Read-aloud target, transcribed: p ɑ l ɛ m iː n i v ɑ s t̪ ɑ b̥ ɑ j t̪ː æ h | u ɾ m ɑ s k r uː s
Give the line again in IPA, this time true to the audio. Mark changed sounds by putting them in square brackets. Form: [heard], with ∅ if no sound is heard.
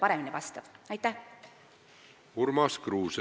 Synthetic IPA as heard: p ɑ [ɾ] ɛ m [i] n i v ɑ s t̪ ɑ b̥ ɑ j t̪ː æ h | u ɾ m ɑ s k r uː s